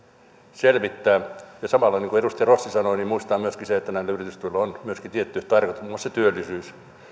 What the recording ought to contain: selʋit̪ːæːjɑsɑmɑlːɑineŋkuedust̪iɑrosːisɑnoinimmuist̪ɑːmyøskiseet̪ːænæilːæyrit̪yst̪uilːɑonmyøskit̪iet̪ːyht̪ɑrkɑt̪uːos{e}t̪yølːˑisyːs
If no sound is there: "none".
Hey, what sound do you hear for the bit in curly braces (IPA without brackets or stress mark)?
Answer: e